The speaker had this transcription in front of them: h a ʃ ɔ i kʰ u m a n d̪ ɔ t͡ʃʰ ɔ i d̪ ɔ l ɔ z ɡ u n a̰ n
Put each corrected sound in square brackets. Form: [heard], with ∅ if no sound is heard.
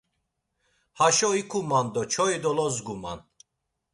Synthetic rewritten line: h a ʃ ɔ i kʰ u m a n d̪ ɔ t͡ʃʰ ɔ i d̪ ɔ l ɔ z ɡ u [m] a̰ n